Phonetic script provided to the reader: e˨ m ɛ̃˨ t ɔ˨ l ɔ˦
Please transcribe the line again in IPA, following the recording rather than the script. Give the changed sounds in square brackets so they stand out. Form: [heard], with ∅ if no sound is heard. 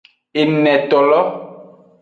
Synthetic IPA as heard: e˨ [n] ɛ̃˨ t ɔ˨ l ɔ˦

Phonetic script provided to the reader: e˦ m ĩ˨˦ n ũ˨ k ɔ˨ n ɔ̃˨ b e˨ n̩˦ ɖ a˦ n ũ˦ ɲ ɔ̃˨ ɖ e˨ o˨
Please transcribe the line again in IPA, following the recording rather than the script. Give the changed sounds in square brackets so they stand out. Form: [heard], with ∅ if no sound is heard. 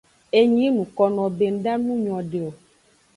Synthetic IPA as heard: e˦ [ɲ] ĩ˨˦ n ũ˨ k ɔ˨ n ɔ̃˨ b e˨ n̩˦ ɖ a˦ n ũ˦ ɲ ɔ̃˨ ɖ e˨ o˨

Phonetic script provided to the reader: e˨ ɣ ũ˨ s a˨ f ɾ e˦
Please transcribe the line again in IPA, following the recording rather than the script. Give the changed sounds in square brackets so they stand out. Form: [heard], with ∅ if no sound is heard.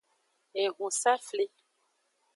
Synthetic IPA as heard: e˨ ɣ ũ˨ s [a˦] f [l] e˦

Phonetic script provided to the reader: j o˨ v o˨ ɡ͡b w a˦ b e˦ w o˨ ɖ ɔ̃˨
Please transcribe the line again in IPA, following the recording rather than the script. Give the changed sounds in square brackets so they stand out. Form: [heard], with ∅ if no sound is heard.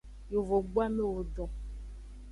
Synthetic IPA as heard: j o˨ v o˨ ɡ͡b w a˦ [m] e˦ w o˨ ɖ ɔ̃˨

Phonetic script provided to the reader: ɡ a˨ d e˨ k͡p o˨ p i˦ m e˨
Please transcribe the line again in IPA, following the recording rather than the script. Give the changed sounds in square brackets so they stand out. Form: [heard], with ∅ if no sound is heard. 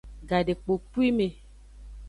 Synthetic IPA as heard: ɡ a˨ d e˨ k͡p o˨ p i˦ m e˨

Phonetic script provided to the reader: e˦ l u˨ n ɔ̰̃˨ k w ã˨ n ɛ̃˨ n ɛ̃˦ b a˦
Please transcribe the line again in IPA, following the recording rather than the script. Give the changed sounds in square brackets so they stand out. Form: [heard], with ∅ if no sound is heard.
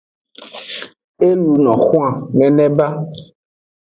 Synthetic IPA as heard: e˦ l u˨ n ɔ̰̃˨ [x] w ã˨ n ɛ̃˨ n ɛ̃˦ b a˦

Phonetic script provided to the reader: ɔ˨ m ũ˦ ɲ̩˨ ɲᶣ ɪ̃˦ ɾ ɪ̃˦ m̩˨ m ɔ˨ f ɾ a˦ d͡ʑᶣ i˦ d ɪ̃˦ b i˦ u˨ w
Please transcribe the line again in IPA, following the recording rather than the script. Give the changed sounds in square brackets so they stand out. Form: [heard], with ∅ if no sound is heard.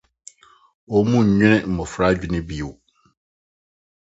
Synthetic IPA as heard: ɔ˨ m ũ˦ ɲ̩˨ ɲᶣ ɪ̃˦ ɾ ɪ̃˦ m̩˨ m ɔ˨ f ɾ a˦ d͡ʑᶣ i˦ [n] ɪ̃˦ b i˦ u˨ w

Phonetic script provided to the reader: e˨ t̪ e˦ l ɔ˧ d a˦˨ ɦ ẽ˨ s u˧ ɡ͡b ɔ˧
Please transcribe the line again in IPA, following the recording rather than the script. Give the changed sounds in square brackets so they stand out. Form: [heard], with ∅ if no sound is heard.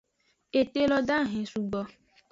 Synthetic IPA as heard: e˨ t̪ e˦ l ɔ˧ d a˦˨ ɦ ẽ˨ s u˧ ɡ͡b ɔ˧

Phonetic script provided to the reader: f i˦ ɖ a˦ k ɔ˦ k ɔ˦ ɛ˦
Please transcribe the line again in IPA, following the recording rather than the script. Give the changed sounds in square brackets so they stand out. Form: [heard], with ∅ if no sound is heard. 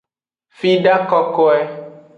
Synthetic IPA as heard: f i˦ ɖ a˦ k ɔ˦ k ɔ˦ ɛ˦

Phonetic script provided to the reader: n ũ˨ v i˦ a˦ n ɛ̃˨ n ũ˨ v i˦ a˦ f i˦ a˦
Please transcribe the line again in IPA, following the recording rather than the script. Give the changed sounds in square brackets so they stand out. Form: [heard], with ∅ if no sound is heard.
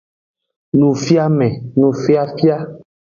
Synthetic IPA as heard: n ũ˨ [f] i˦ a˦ [m] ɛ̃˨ n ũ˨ [f] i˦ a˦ f i˦ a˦

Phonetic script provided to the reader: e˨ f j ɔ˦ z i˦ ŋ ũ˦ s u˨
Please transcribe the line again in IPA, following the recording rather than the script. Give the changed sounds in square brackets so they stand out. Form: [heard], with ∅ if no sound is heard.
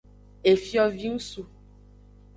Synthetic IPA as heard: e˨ f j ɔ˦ [v] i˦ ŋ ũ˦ s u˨

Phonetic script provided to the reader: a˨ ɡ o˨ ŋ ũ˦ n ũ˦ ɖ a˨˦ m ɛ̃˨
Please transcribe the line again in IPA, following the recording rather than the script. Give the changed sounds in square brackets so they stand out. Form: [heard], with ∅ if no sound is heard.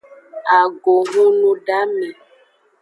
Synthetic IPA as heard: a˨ ɡ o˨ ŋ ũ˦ n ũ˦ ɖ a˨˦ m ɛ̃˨

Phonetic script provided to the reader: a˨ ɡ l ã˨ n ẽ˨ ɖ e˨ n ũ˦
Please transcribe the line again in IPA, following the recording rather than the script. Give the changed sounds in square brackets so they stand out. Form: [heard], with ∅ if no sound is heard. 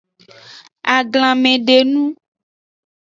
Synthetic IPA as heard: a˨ ɡ l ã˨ [m] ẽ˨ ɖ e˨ n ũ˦

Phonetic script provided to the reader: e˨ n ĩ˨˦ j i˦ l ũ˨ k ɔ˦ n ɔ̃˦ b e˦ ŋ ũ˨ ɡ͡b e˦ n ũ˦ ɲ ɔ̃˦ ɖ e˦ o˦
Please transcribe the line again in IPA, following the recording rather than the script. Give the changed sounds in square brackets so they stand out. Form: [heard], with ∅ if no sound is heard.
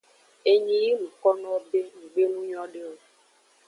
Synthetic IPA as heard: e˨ [ɲ] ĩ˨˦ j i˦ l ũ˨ k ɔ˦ n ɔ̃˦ b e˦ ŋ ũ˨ ɡ͡b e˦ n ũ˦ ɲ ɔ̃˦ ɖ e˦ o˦

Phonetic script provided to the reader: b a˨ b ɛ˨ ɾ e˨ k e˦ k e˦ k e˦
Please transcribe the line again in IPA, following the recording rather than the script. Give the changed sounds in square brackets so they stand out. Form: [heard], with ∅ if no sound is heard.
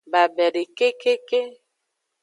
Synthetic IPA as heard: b a˨ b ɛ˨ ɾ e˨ k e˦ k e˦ k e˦

